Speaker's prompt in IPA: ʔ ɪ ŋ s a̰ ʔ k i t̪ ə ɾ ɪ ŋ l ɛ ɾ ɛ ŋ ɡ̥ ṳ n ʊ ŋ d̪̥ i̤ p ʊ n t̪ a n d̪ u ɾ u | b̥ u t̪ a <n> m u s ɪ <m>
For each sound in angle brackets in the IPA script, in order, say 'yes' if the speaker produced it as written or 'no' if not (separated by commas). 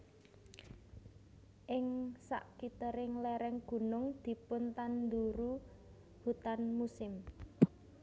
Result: yes, yes